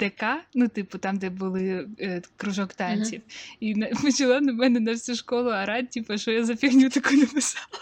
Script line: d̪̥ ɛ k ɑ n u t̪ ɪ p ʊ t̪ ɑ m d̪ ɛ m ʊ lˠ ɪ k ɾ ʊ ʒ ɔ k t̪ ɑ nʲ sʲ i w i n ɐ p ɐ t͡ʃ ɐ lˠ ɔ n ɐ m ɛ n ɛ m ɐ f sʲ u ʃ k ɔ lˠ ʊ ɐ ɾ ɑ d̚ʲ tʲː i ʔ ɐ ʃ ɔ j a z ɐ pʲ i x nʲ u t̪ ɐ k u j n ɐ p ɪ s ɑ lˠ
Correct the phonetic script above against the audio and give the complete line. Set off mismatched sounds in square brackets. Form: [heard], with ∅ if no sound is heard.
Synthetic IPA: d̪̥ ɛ k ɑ n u t̪ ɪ p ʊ t̪ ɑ m d̪ ɛ [b] ʊ lˠ ɪ k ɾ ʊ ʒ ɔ k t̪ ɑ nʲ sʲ i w i n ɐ p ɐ t͡ʃ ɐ lˠ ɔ n ɐ m ɛ n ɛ [n] ɐ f sʲ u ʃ k ɔ lˠ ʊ ɐ ɾ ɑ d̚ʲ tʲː i [p] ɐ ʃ ɔ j a z ɐ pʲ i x nʲ u t̪ ɐ k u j n ɐ p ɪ s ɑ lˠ